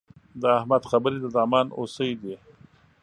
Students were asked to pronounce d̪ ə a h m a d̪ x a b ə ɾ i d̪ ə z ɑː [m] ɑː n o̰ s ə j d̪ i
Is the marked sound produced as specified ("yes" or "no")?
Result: yes